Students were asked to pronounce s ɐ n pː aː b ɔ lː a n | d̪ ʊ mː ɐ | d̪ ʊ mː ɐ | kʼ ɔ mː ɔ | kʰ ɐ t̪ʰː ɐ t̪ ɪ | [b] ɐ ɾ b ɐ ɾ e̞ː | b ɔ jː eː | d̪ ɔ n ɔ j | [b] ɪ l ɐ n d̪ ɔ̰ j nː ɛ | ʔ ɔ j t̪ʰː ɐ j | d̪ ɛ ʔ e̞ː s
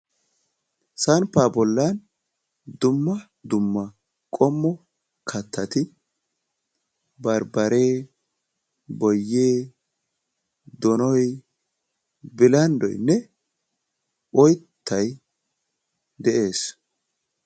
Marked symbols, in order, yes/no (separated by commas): yes, yes